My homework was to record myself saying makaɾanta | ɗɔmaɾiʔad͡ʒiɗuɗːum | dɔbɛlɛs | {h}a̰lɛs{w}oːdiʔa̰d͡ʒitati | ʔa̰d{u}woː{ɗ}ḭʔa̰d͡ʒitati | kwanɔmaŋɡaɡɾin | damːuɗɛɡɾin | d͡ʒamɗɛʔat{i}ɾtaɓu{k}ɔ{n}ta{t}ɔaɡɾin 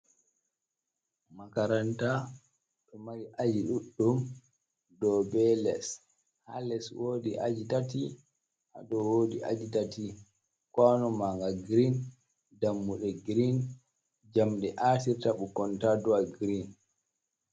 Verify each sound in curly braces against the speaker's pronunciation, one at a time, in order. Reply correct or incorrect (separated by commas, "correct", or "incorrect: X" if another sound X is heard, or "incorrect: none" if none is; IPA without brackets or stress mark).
correct, correct, incorrect: ɔ, incorrect: d, correct, correct, correct, incorrect: d